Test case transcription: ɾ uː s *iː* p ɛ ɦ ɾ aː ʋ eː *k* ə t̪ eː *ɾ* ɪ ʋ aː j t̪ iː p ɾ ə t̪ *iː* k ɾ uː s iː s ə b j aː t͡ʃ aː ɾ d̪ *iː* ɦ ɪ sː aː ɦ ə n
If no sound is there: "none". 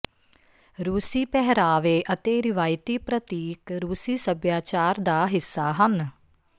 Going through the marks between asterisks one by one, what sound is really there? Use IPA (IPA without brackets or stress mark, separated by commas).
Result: iː, ʔ, ɾ, iː, aː